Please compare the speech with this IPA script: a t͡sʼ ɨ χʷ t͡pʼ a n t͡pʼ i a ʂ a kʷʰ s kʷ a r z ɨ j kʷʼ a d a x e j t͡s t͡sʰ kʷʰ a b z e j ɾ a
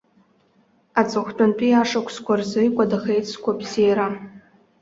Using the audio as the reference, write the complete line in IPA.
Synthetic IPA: a t͡sʼ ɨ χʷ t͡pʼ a n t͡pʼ i a ʂ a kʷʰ s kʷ a r z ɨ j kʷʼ a d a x e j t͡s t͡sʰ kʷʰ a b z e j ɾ a

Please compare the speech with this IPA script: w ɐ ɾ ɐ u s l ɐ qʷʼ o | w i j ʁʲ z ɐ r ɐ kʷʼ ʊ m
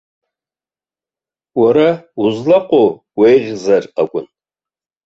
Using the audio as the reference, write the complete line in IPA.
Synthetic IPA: w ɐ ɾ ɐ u z l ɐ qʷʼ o | w e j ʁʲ z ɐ r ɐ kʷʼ ʊ n

